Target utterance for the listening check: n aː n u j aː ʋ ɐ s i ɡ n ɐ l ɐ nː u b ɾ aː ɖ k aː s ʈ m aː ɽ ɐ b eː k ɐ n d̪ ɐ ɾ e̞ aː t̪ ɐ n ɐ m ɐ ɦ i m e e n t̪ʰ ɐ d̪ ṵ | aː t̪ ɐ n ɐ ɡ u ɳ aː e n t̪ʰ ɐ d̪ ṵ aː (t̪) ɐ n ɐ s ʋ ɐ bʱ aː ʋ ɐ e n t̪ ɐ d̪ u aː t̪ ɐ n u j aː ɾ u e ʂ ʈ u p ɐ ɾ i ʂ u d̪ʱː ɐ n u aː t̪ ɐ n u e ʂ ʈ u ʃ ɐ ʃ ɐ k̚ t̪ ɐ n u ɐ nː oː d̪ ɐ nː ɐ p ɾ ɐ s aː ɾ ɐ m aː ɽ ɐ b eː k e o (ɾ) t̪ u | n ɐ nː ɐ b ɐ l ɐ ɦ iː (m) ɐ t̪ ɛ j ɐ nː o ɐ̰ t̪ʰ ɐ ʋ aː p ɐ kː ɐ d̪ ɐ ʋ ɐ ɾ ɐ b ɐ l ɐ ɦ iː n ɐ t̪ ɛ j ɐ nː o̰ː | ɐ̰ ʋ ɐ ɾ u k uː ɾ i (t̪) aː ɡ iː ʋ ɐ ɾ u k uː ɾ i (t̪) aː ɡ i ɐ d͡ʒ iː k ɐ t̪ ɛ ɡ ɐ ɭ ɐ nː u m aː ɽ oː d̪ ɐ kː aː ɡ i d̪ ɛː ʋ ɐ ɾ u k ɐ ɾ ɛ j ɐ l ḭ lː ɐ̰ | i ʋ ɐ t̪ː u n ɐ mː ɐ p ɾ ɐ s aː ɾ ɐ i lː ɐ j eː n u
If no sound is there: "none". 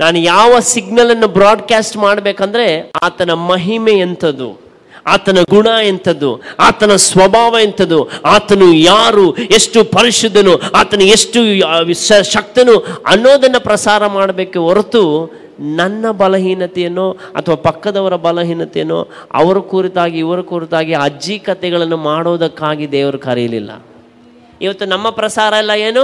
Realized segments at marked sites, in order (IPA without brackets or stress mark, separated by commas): t̪, ɾ, n, t̪, t̪